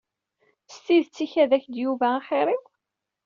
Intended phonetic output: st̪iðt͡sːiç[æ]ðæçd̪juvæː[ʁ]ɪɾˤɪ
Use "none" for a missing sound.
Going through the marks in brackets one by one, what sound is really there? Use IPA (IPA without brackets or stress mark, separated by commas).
æ, χ